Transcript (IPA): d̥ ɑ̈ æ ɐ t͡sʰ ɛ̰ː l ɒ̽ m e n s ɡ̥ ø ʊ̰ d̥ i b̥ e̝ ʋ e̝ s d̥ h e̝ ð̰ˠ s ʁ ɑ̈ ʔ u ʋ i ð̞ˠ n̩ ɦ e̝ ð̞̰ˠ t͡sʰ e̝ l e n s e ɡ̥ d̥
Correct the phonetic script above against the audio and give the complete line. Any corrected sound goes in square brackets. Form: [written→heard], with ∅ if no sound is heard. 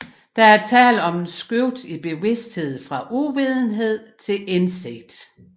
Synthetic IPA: d̥ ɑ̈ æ ɐ t͡sʰ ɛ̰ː l ɒ̽ m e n s ɡ̥ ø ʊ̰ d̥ i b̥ e̝ ʋ e̝ s d̥ h e̝ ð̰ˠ [s→f] ʁ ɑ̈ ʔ u ʋ i ð̞ˠ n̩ ɦ e̝ ð̞̰ˠ t͡sʰ e̝ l e n s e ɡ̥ d̥